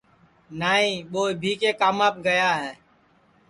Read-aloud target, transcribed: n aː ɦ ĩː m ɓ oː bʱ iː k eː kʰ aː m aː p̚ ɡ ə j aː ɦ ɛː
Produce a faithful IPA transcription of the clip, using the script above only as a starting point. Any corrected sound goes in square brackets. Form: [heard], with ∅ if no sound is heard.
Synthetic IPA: n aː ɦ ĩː [∅] ɓ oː bʱ iː k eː [k] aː m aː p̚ ɡ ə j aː ɦ ɛː